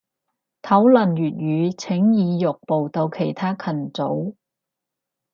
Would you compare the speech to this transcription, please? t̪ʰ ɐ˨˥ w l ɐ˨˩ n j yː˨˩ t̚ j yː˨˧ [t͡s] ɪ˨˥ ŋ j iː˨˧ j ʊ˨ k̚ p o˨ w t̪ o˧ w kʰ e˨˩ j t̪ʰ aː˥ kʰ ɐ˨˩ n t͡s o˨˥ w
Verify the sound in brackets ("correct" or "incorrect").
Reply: incorrect